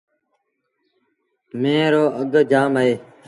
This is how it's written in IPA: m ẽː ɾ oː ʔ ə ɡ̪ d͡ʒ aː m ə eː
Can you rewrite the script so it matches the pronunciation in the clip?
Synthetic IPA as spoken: m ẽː ɾ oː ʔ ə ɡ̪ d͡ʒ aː m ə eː